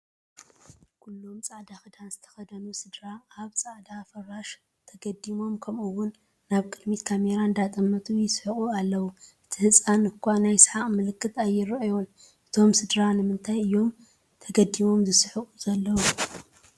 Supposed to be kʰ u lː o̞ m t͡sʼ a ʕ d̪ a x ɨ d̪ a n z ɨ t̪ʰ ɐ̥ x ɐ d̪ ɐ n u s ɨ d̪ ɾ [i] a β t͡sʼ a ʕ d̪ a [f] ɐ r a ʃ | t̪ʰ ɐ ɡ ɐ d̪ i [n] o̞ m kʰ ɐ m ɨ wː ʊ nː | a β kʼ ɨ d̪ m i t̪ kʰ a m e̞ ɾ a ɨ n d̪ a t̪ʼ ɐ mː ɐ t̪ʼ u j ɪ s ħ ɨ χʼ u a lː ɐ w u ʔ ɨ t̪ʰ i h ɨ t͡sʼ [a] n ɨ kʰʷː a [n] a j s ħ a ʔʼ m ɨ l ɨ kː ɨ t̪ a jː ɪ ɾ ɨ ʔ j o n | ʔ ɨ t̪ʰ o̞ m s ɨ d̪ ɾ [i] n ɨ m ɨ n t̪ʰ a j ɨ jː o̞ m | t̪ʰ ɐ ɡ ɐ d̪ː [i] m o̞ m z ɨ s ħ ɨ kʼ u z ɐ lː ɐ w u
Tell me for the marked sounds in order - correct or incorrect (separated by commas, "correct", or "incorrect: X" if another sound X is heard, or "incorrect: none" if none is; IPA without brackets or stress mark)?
incorrect: a, correct, incorrect: m, correct, correct, incorrect: a, correct